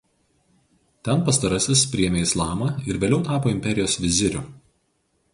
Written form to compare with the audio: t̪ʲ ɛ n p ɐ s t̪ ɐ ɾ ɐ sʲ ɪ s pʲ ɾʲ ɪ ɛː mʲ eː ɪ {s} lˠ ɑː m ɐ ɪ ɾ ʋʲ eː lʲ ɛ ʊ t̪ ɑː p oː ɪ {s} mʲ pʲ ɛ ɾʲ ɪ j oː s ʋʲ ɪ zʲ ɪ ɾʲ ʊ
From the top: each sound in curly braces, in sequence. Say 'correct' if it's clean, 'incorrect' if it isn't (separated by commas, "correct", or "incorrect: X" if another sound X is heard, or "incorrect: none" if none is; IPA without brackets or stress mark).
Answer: correct, incorrect: none